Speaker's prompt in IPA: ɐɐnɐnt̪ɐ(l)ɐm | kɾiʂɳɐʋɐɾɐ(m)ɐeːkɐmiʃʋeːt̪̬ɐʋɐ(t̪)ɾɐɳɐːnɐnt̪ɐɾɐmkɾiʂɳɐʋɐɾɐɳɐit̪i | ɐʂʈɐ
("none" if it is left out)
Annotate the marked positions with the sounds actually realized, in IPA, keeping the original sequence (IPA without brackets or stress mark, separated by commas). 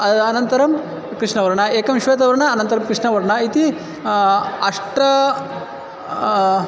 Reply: ɾ, ɳ, none